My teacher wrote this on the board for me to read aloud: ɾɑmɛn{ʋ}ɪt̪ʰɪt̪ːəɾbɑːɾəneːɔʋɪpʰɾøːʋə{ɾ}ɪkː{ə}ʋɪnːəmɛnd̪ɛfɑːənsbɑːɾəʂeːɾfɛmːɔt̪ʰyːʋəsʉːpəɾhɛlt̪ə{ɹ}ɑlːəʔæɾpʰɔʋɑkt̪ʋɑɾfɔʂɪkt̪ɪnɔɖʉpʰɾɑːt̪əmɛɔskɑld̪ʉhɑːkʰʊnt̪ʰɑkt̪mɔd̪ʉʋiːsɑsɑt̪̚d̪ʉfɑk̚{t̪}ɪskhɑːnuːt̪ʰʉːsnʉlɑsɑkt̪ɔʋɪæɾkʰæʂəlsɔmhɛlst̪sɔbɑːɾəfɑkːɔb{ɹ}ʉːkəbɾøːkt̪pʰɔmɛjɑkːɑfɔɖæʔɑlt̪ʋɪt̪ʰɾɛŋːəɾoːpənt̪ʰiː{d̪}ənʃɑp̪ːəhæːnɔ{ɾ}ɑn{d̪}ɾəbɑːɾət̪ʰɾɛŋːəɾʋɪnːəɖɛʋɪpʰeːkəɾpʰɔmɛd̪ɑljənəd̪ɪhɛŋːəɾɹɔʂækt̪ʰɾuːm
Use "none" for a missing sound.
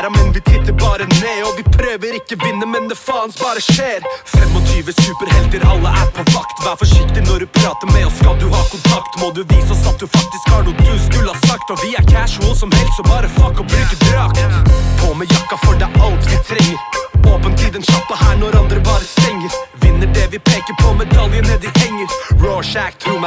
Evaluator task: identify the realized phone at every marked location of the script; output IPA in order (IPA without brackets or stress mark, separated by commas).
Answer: ʋ, ɾ, ə, ɾ, t̪, ɾ, d̪, ɾ, d̪